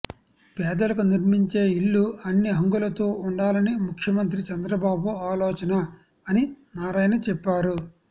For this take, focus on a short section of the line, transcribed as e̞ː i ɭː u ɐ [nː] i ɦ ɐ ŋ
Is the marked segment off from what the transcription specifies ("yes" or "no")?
no